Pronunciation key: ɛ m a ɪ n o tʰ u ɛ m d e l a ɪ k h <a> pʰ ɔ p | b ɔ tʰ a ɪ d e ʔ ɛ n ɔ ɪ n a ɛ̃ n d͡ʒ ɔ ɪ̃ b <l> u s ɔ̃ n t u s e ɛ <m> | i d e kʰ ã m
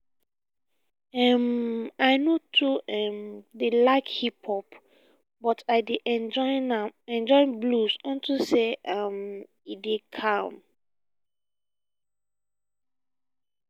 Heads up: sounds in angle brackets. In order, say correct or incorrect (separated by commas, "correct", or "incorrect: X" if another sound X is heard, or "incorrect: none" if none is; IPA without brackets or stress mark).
incorrect: i, correct, correct